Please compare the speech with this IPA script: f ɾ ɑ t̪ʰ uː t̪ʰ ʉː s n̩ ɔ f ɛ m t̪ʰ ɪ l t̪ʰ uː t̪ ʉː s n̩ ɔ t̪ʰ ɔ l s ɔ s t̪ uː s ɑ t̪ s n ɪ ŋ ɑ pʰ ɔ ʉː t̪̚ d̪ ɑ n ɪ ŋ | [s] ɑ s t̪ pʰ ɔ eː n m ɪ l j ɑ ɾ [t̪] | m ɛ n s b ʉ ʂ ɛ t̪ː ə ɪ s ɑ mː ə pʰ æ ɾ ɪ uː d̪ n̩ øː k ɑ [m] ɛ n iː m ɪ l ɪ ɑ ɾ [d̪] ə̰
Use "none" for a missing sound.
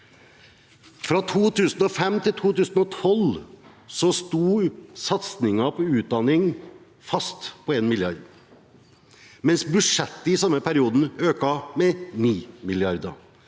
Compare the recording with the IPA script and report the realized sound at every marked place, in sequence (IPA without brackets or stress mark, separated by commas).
f, d̪, m, d̪